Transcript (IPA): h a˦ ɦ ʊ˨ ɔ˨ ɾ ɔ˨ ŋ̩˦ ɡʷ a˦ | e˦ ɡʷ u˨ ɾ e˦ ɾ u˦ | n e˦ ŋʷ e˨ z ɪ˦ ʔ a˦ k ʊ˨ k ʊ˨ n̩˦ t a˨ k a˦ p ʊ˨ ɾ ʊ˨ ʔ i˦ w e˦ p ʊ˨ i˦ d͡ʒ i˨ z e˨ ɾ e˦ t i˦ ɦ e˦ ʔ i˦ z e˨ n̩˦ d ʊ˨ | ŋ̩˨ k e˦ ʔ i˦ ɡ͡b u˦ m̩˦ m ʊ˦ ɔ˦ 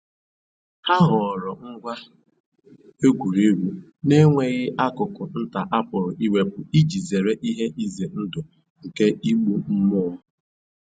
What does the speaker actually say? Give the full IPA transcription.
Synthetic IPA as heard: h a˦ ɦ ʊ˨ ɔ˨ ɾ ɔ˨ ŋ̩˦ ɡʷ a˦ | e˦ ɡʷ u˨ ɾ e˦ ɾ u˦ | n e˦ ŋʷ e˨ ɣ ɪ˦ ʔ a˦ k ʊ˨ k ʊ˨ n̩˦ t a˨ ʔ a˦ p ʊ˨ ɾ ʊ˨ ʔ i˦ w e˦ p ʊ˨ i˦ d͡ʒ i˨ z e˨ ɾ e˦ ʔ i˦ ɦ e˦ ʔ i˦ z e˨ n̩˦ d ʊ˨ | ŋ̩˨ k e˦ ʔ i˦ ɡ͡b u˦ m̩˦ m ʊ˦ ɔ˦

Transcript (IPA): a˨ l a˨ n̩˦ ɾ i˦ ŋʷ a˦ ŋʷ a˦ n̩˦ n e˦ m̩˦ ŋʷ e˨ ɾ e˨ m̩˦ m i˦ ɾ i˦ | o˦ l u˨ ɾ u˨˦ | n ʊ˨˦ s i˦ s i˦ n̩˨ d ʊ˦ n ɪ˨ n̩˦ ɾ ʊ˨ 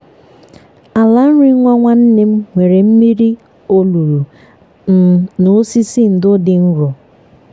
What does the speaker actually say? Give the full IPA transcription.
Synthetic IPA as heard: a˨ l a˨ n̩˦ ɾ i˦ ŋʷ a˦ ŋʷ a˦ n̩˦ n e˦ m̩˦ ŋʷ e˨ ɾ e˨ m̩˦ m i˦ ɾ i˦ | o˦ l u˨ ɾ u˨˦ | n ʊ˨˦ s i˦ s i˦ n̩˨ d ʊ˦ d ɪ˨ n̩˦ ɾ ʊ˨

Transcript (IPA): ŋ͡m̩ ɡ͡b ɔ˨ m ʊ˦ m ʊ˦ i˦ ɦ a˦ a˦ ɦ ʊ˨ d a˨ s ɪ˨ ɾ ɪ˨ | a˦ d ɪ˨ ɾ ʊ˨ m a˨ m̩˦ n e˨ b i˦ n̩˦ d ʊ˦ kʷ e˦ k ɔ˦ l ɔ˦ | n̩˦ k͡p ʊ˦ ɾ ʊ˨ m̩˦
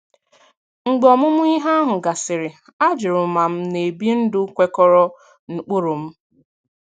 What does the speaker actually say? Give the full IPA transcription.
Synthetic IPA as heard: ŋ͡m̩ ɡ͡b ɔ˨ m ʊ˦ m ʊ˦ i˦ ɦ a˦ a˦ ɦ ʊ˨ ɡ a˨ s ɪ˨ ɾ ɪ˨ | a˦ d͡ʒ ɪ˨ ɾ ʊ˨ m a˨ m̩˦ n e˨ b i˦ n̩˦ d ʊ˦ kʷ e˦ k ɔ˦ ɾ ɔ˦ | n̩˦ k͡p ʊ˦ ɾ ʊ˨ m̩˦

